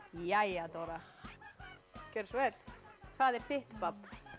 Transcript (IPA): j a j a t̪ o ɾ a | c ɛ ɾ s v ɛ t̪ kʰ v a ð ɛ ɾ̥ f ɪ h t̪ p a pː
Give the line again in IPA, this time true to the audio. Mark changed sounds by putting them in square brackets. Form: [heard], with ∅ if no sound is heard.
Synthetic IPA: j a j a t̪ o ɾ a | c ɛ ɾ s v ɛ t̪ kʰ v a ð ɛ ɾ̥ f ɪ h t̪ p a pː

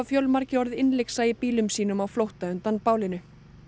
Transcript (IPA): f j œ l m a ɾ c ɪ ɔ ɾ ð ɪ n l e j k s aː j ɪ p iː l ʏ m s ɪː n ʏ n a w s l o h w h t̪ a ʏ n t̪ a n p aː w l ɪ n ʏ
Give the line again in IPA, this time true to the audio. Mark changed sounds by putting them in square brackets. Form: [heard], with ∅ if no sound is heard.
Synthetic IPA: f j œ l m a ɾ c ɪ ɔ ɾ ð ɪ n l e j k s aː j ɪ p iː l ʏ m s [iː] n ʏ [m] a w [f] l o [∅] w h t̪ a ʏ n t̪ a n p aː w l ɪ n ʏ

